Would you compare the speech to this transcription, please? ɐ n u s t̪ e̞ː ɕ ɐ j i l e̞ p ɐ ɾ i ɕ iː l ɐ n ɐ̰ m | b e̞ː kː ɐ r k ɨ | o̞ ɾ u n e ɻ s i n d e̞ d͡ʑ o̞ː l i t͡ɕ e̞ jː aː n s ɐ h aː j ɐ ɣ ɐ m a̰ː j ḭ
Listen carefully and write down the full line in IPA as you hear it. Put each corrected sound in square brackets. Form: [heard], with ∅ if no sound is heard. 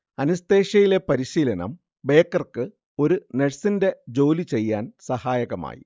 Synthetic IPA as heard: ɐ n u s t̪ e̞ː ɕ ɐ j i l e̞ p ɐ ɾ i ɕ iː l ɐ n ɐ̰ m | b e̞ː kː ɐ r k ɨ | o̞ ɾ u n e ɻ s i n d e̞ d͡ʑ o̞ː l i t͡ɕ e̞ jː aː n s ɐ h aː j ɐ ɣ ɐ m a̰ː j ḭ